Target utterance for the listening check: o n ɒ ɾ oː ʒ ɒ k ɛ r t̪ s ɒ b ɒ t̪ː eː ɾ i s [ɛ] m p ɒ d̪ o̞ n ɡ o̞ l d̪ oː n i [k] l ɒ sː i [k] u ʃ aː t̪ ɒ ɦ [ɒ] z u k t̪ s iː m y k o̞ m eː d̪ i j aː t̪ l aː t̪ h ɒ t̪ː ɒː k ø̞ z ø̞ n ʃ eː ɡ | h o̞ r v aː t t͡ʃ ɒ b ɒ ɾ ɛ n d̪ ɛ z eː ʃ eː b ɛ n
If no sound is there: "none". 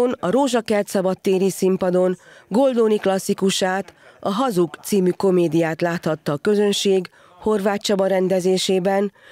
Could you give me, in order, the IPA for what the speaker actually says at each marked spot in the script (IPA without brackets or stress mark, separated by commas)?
i, k, k, ɒ